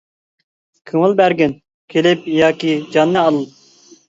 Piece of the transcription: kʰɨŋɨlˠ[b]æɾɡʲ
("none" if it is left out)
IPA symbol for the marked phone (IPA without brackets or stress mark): b